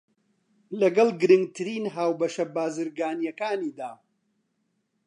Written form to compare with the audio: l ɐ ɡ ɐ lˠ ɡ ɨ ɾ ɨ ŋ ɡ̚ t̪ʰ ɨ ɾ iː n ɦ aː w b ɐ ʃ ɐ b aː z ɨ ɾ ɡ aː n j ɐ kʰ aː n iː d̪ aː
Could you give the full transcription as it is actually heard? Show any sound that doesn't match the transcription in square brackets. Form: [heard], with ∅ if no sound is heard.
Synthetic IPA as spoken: l ɐ ɡ ɐ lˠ ɡ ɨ ɾ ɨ ŋ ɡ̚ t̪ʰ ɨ ɾ iː n ɦ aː w b ɐ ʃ ɐ b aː z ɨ ɾ ɡ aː n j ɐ [k] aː n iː d̪ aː